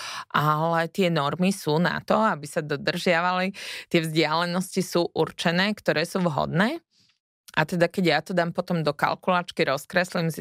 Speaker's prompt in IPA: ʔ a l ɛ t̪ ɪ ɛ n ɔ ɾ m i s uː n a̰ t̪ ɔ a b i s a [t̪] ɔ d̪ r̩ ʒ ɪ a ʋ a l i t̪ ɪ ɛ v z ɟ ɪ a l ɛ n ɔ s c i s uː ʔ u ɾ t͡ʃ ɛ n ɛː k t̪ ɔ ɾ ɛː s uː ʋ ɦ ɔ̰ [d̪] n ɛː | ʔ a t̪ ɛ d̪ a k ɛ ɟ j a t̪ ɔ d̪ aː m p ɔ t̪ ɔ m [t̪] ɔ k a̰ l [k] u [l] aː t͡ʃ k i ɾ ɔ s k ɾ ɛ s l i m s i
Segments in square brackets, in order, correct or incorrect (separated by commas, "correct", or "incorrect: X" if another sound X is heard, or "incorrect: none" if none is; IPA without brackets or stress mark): incorrect: d̪, correct, incorrect: d̪, correct, correct